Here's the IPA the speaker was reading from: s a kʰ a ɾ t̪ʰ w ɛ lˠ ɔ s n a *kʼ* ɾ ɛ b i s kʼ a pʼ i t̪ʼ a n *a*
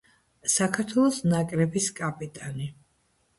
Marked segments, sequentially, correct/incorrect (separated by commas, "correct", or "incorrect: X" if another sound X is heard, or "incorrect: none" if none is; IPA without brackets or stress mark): correct, incorrect: i